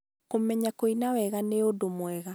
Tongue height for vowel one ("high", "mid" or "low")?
mid